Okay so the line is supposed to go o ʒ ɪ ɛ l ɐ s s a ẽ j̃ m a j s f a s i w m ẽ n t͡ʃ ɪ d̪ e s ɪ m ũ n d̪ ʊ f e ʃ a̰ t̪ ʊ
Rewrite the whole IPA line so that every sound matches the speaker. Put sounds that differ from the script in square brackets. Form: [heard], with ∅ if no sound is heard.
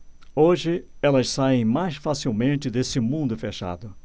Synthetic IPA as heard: o ʒ ɪ ɛ l ɐ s s a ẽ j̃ m a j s f a s i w m ẽ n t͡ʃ ɪ d̪ e s ɪ m ũ n d̪ ʊ f e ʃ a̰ [d̪] ʊ